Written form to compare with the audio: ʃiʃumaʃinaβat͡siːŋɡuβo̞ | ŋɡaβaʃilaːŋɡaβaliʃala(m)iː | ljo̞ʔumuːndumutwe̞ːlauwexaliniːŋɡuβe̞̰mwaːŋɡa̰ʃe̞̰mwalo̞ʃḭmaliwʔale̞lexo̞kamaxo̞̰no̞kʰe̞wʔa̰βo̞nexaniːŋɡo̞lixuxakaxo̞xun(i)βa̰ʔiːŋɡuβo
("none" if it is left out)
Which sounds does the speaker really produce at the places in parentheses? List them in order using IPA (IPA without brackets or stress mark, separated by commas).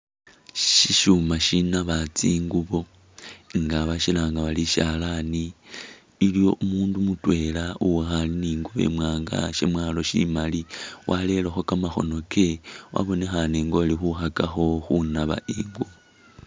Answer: n, a